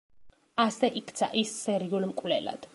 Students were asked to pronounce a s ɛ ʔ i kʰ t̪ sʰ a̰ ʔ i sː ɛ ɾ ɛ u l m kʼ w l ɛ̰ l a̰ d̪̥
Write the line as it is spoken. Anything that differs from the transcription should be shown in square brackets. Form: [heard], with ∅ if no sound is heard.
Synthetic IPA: a s ɛ ʔ i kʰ t̪ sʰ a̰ ʔ i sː ɛ ɾ [i] u l m kʼ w l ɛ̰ l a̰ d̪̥